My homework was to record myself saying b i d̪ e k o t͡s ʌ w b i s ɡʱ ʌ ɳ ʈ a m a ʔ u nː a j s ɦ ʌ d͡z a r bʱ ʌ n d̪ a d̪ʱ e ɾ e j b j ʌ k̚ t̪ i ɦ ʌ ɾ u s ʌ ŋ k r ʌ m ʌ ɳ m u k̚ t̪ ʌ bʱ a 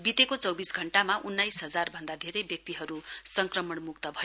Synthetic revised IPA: b i t̪ e k o t͡s ʌ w b i s ɡʱ ʌ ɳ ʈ a m a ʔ u nː a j s ɦ ʌ d͡z a r bʱ ʌ n d̪ a d̪ʱ e ɾ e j b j ʌ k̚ t̪ i ɦ ʌ ɾ u s ʌ ŋ k r ʌ m ʌ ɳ m u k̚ t̪ ʌ bʱ ʌ